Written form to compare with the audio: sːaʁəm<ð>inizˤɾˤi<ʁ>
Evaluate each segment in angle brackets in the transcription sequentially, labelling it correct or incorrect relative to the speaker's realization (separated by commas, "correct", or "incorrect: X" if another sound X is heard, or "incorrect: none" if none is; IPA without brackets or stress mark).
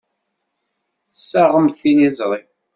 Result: incorrect: θ, incorrect: none